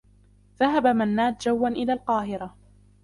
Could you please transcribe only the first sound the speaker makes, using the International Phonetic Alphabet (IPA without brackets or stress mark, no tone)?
ð